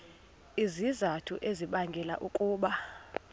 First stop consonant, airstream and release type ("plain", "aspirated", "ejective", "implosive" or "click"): aspirated